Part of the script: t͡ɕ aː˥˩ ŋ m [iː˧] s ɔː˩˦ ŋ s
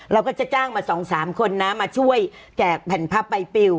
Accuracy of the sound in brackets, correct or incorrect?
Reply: incorrect